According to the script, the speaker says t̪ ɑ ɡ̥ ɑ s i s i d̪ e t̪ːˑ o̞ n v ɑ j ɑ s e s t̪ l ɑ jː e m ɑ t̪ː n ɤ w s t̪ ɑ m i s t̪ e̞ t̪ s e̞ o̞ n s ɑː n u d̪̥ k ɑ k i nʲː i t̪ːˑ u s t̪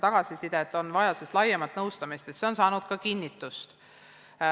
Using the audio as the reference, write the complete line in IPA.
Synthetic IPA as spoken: t̪ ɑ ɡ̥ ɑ s i s i d̪ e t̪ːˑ o̞ n v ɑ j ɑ s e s t̪ l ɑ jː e m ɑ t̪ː n ɤ w s t̪ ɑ m i s t̪ e̞ t̪ s e̞ o̞ n s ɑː n u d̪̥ k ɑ k i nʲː i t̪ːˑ u s t̪